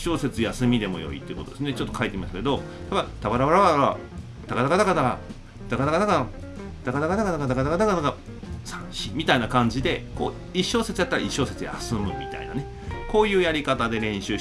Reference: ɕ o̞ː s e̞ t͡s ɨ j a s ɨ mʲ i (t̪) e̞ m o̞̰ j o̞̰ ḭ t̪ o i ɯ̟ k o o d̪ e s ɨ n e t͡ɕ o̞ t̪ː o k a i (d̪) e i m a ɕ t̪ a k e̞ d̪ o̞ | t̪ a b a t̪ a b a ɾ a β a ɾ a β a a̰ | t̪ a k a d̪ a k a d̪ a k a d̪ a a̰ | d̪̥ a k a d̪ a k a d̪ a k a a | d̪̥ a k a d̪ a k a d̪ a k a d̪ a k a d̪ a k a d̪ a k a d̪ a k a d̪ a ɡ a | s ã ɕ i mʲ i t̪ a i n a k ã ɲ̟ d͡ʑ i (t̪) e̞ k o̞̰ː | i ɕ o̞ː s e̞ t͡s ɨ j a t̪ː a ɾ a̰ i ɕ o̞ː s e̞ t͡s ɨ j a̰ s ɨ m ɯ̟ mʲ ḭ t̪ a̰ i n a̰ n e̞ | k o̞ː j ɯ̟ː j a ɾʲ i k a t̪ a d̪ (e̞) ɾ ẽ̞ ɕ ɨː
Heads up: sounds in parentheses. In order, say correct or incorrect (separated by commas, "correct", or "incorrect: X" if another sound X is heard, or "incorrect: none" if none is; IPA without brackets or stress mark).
incorrect: d̪, incorrect: t̪, incorrect: d̪, correct